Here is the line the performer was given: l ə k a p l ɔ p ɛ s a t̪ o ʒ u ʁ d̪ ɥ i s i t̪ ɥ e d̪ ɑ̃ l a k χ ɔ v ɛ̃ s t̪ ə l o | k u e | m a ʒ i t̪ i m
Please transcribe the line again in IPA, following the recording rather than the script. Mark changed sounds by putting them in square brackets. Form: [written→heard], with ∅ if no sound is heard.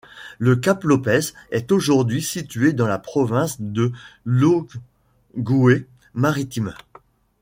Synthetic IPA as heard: l ə k a p l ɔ p ɛ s [a→ɛ] t̪ o ʒ u ʁ d̪ ɥ i s i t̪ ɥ e d̪ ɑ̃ l a [k→p] χ ɔ v ɛ̃ s [t̪→d̪] ə l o | [k→ɡ] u e | m a [ʒ→ʁ] i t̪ i m